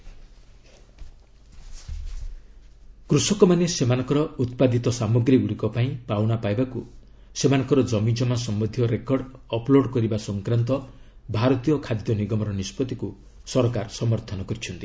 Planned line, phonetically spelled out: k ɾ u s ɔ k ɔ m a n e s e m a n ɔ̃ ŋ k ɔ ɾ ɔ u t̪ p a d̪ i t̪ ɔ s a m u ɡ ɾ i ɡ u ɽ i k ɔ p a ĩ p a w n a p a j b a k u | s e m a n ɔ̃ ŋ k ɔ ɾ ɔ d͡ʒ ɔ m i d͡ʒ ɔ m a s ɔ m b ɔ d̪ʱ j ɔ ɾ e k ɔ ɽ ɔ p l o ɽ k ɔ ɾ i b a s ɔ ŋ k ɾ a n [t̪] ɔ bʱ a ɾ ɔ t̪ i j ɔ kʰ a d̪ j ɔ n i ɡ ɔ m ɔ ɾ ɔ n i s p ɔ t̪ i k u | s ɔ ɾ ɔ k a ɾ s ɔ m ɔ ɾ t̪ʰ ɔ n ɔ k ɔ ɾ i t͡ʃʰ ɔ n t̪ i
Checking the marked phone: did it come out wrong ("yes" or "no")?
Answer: no